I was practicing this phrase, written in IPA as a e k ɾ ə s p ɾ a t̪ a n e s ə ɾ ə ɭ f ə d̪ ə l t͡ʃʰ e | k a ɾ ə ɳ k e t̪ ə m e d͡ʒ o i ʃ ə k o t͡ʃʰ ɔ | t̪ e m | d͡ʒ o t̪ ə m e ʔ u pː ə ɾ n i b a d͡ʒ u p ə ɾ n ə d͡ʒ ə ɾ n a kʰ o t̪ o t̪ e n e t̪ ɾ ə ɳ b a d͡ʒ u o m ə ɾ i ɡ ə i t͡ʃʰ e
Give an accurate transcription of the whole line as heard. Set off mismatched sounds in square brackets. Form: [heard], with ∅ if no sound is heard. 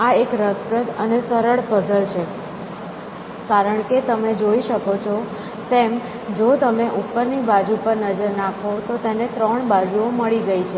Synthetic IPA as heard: a e k ɾ ə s p ɾ [ə] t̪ [ə] n e s ə ɾ ə ɭ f ə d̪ ə l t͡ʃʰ e | k a ɾ ə ɳ k e t̪ ə m e d͡ʒ o i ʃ ə k o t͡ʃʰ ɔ | t̪ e m | d͡ʒ o t̪ ə m e ʔ u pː ə ɾ n i b a d͡ʒ u p ə ɾ n ə d͡ʒ ə ɾ n a kʰ o t̪ o t̪ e n e t̪ ɾ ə ɳ b a d͡ʒ u o m ə [ɭ] i ɡ ə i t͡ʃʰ e